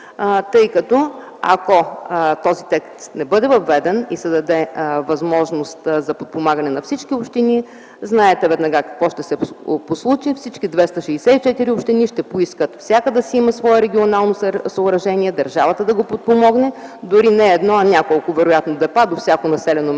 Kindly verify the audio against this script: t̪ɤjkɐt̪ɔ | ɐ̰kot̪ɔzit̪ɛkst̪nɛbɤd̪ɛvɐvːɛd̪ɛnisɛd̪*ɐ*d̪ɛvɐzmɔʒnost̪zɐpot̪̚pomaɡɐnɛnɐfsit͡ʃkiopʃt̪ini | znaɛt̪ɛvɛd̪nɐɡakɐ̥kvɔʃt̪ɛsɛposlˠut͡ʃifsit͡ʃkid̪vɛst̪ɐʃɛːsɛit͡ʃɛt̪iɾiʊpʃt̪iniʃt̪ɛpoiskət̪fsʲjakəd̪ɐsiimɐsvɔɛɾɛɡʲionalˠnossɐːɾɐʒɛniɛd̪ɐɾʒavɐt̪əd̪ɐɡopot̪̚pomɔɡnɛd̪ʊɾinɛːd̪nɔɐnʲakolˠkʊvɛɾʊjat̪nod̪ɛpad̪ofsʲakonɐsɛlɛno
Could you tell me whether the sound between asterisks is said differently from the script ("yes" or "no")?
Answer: no